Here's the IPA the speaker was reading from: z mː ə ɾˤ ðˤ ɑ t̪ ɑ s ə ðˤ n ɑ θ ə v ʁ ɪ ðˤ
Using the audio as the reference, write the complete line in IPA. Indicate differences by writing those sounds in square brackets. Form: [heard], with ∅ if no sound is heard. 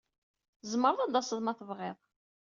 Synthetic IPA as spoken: z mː ə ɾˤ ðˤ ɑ [d̪] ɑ s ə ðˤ [m] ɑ θ ə v ʁ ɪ ðˤ